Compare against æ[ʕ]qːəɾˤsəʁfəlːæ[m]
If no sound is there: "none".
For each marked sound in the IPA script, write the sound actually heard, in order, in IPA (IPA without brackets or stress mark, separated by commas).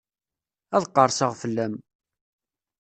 ð, m